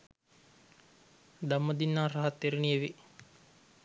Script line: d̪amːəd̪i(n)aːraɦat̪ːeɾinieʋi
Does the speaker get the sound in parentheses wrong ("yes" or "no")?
yes